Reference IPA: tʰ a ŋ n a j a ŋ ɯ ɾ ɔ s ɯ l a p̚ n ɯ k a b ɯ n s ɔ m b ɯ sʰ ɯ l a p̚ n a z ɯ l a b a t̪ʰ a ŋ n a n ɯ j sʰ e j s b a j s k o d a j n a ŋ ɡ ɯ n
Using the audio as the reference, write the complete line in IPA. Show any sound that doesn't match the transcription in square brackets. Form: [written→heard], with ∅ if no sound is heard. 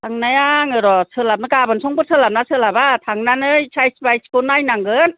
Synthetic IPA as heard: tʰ a ŋ n a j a ŋ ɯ ɾ ɔ s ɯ l a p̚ n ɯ k a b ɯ n s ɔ [m→ŋ] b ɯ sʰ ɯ l a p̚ n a [z→s] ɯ l a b a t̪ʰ a ŋ n a n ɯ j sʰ [e→a] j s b a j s k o [d→n] a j n a ŋ ɡ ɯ n